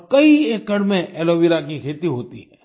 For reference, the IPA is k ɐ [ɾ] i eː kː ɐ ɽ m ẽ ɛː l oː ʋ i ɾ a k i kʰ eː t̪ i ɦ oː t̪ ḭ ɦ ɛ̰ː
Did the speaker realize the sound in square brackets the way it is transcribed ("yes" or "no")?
no